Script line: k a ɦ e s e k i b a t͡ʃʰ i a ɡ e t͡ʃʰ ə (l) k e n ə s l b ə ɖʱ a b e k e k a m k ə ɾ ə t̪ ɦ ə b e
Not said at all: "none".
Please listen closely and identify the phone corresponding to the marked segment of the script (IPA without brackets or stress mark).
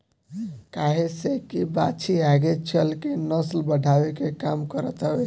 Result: l